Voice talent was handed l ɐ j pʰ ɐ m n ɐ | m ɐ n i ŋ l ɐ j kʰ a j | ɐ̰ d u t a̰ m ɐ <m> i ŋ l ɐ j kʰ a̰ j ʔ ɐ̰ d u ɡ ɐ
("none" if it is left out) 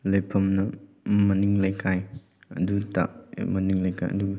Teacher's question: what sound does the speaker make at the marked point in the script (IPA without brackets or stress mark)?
n